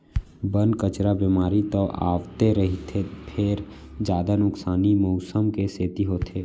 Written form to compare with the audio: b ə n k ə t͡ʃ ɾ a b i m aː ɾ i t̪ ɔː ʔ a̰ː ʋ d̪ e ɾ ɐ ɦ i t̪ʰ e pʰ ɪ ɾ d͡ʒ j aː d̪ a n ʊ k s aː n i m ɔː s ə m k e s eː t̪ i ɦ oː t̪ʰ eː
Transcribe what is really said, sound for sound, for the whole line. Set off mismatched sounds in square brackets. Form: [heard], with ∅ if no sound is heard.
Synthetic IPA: b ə n k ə t͡ʃ ɾ a b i m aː ɾ i t̪ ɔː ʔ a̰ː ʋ [t̪] e ɾ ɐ ɦ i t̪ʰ e pʰ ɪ ɾ d͡ʒ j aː d̪ a n ʊ k s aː n i m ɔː s ə m k e s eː t̪ i ɦ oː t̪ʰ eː